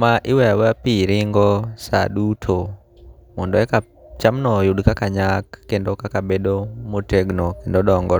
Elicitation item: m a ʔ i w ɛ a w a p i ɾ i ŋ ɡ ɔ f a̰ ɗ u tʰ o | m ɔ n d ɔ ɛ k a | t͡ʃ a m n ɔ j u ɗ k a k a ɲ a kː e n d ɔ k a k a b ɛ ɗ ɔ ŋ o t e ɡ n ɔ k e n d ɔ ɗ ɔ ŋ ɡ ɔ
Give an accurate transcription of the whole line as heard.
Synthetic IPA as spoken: m a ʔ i w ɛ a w a p i ɾ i ŋ ɡ ɔ s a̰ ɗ u tʰ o | m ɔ n d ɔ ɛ k a | t͡ʃ a m n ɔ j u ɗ k a k a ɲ a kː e n d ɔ k a k a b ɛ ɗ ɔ m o t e ɡ n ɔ k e n d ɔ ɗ ɔ ŋ ɡ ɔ